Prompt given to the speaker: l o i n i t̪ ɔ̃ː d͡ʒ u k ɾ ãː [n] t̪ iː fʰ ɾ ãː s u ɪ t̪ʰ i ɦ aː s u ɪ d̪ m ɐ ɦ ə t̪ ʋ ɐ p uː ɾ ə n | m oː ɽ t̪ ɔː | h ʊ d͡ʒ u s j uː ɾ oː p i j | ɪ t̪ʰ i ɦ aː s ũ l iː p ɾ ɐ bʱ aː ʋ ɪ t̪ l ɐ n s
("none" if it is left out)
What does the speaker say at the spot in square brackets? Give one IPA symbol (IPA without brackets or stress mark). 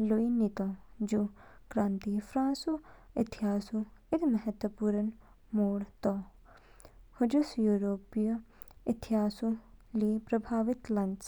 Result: n